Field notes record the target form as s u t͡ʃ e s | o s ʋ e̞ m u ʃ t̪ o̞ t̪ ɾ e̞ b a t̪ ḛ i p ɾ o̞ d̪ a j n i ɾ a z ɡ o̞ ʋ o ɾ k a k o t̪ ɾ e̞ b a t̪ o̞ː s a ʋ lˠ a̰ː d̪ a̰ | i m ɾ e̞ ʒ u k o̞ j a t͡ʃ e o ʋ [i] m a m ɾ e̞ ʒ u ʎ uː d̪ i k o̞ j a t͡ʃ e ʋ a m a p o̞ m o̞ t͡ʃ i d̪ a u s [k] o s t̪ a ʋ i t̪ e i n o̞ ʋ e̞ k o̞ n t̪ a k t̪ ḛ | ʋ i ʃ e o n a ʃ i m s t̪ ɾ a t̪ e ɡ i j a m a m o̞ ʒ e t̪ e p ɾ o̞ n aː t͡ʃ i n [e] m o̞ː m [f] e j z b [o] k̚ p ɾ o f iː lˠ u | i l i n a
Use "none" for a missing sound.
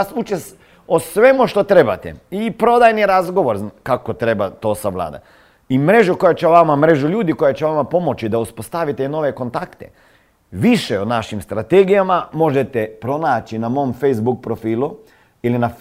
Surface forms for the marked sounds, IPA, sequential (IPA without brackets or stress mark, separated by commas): a, p, a, f, u